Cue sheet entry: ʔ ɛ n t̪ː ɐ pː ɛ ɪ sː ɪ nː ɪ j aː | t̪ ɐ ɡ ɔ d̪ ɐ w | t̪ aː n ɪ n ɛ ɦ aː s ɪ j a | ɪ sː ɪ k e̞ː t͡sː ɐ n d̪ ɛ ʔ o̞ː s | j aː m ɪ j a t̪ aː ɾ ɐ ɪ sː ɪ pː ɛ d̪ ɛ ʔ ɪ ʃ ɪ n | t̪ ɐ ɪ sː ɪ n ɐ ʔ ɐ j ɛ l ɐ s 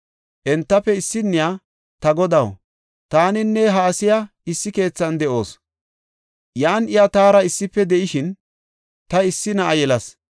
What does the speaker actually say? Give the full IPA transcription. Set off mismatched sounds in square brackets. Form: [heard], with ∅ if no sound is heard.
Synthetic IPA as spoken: ʔ ɛ n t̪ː ɐ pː ɛ ɪ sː ɪ nː ɪ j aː | t̪ ɐ ɡ ɔ d̪ ɐ w | t̪ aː n ɪ [nː] ɛ ɦ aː s ɪ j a | ɪ sː ɪ k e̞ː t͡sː ɐ n d̪ ɛ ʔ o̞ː s | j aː [n] ɪ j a t̪ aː ɾ ɐ ɪ sː ɪ pː ɛ d̪ ɛ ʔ ɪ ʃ ɪ n | t̪ ɐ ɪ sː ɪ n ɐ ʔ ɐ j ɛ l ɐ s